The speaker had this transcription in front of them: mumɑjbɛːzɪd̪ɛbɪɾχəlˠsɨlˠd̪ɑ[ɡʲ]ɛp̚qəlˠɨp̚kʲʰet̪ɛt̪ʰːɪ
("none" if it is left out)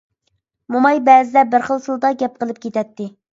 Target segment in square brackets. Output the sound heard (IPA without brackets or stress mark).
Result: ɡʲ